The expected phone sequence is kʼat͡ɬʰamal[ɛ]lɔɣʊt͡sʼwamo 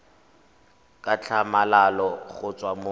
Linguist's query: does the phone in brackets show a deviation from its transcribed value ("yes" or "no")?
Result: yes